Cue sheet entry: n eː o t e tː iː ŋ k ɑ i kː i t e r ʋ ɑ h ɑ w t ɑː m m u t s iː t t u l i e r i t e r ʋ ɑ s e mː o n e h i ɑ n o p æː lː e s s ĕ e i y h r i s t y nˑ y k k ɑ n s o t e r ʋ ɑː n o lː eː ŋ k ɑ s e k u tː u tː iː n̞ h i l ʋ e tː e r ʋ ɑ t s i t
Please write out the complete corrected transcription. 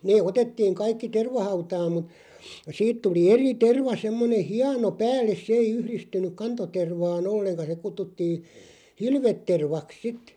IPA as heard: n eː o t e tː iː ŋ k ɑ i kː i t e r ʋ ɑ h ɑ u t ɑː m m u t s iː t t u l i e r i t e r ʋ ɑ s e mː o n e h i ɑ n o p æː lː e s s ĕ e i y h r i s t y nˑ y k k ɑ n t o t e r ʋ ɑː n o lː e ŋ k ɑ s e k u tː u tː iː n̞ h i l ʋ e tː e r ʋ ɑ k s i t